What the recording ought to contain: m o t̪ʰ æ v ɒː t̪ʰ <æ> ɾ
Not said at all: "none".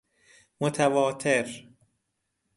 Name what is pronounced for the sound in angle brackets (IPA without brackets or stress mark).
e